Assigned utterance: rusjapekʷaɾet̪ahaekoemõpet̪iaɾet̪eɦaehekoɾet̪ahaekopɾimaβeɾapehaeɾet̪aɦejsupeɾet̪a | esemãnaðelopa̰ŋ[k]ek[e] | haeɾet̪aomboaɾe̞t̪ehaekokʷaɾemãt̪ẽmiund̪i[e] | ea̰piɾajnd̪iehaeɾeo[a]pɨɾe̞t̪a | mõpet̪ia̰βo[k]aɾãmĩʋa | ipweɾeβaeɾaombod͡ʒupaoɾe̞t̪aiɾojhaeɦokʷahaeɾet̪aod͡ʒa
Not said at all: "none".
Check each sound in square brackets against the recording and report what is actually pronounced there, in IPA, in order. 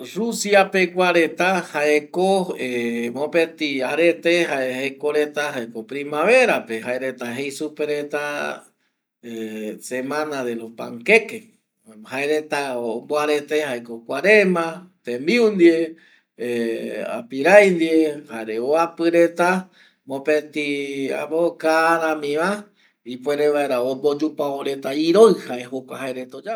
k, e, e, a, k

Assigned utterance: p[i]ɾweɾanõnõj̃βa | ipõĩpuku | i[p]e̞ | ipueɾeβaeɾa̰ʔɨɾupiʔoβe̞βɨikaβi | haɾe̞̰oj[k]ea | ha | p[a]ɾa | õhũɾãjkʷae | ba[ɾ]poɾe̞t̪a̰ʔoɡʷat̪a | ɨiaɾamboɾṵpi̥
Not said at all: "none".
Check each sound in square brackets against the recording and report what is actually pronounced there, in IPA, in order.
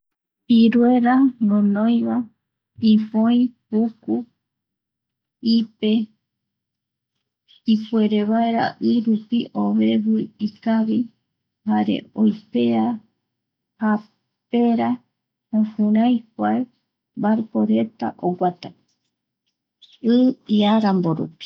i, p, p, e, ɾ

